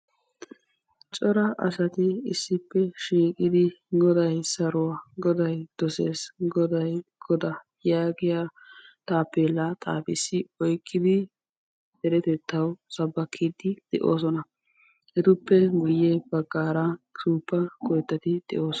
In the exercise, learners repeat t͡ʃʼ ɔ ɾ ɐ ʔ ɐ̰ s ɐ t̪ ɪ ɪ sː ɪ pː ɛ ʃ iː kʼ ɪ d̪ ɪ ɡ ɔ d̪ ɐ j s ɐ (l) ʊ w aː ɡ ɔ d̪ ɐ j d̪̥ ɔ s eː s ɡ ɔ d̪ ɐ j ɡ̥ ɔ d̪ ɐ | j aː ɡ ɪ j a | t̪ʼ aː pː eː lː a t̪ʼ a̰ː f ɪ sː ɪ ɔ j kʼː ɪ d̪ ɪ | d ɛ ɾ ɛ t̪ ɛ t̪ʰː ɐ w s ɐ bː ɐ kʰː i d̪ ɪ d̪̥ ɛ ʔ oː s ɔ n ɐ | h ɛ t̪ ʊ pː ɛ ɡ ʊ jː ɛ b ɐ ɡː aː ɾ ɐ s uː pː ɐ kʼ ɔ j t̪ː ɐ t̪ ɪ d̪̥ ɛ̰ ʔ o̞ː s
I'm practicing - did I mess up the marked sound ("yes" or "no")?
yes